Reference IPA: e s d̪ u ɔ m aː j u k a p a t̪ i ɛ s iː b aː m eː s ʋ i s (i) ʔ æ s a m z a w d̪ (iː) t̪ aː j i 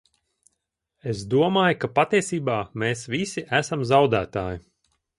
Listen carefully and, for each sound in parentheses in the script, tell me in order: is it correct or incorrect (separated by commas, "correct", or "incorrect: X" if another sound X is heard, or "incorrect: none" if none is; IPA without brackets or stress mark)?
correct, incorrect: æː